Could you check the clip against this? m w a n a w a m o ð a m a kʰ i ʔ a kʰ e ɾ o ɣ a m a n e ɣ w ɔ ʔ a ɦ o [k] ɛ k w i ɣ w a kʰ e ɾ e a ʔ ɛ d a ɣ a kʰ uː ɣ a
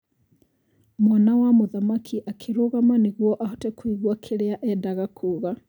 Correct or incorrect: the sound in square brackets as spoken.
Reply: incorrect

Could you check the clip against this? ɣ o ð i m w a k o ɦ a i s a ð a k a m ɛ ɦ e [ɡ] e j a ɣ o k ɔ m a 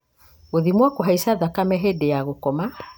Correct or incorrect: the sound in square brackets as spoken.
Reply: incorrect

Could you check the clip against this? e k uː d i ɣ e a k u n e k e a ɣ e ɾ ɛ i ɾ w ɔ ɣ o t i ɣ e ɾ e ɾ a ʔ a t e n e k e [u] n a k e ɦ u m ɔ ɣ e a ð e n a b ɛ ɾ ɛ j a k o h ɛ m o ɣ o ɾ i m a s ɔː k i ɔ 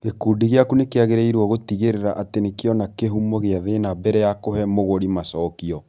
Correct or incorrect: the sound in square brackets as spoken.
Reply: incorrect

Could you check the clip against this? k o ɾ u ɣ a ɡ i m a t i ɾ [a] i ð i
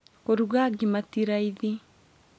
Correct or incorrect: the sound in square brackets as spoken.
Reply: correct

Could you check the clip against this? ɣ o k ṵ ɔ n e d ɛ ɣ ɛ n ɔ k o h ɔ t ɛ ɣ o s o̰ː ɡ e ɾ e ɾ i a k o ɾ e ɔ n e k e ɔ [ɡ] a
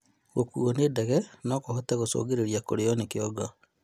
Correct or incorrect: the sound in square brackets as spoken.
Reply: correct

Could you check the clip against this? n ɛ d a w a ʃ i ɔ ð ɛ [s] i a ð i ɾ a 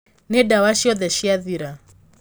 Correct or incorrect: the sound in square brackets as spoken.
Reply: incorrect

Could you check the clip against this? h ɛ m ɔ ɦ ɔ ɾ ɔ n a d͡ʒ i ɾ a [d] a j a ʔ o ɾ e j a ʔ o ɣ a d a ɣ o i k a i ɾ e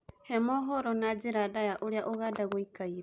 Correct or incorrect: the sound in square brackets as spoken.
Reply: correct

